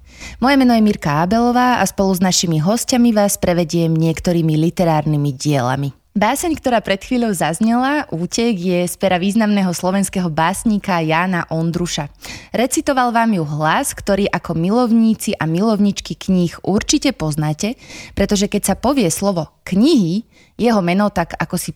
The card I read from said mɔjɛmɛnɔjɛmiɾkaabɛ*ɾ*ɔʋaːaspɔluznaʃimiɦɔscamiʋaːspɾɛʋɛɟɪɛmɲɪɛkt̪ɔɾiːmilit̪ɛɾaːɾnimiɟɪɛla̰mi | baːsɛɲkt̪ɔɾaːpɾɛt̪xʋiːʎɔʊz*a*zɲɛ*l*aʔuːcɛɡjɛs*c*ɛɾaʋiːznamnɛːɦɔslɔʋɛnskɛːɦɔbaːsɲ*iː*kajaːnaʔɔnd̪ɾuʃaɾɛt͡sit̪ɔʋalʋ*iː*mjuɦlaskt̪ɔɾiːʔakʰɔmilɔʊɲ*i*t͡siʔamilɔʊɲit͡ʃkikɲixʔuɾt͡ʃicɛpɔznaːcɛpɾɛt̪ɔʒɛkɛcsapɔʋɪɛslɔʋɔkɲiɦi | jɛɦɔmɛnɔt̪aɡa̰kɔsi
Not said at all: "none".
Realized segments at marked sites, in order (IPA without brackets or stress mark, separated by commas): l, a, l, p, iː, aː, iː